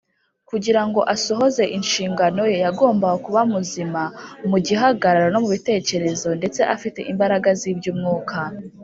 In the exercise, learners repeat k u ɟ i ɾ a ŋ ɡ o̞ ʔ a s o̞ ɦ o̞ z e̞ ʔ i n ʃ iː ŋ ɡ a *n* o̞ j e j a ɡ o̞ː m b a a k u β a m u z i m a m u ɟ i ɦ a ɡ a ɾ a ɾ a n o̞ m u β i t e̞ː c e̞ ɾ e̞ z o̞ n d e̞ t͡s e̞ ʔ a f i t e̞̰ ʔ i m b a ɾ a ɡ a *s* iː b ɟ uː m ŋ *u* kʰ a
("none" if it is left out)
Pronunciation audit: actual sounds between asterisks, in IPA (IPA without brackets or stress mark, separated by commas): n, z, uː